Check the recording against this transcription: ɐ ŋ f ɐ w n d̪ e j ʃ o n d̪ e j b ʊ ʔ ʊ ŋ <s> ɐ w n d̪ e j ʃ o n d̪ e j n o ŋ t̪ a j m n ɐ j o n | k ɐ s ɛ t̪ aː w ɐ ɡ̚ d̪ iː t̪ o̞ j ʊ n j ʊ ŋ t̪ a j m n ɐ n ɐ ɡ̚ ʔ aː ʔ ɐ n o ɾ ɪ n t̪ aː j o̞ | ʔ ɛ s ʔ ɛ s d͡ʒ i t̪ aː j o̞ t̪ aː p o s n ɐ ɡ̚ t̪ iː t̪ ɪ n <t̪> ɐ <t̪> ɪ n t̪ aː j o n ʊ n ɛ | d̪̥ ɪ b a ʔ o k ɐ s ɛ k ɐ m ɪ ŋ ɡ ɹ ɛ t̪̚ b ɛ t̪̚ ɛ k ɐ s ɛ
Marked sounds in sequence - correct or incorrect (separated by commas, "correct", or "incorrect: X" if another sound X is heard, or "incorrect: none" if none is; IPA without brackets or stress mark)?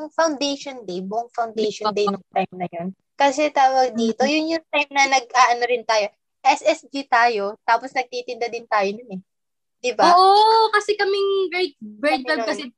incorrect: f, incorrect: d̪, incorrect: d̪